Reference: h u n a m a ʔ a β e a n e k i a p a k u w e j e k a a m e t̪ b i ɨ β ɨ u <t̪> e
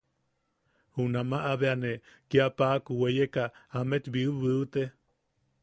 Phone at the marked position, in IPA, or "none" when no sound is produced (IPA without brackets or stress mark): t̪